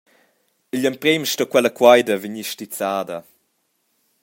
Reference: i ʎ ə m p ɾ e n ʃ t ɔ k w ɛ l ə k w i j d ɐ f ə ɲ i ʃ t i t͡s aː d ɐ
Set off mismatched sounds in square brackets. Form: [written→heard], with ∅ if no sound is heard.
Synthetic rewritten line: i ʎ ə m p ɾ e [n→m] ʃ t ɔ k w ɛ l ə k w [i→a] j d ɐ [f→v] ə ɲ i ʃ t i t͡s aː d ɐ